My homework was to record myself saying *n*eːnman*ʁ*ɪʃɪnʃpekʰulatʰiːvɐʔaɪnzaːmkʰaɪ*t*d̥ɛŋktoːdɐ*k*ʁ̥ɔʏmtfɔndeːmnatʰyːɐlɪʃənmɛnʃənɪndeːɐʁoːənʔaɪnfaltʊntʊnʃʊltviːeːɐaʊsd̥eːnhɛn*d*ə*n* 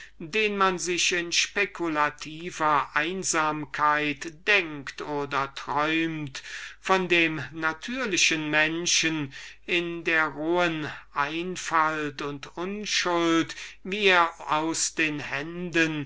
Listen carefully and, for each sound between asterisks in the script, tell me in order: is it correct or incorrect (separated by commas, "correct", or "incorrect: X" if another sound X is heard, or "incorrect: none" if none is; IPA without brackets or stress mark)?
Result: incorrect: d, incorrect: z, correct, incorrect: t, correct, correct